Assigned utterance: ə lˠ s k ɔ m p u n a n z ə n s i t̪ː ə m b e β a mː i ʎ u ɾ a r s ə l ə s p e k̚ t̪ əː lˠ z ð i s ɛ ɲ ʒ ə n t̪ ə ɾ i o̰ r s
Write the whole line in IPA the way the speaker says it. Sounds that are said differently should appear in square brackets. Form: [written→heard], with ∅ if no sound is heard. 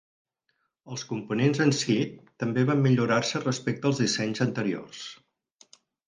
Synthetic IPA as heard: ə lˠ s k [ɔ→u] m p u n [a→e] n z ə n s i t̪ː ə m b e β a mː i ʎ u ɾ a r s ə [l→r] ə s p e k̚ t̪ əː lˠ z ð i s ɛ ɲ [ʒ→z] ə n t̪ ə ɾ i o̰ r s